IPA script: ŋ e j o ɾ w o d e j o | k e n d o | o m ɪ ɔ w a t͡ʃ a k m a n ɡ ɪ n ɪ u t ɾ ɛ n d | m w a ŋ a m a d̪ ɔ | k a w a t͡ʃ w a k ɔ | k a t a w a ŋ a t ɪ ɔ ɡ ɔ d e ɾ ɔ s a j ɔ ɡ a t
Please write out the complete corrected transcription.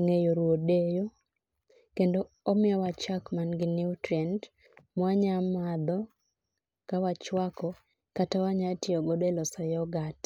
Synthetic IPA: ŋ e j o ɾ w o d e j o | k e n d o | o m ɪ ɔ w a t͡ʃ a k m a n ɡ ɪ n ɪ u t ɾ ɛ n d | m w a ɲ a m a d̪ ɔ | k a w a t͡ʃ w a k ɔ | k a t a w a ɲ a t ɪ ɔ ɡ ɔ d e l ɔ s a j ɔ ɡ a t